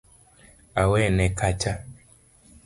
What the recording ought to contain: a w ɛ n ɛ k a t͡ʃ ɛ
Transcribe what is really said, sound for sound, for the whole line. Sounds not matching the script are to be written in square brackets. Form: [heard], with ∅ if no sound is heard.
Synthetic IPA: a w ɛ n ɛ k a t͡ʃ [a]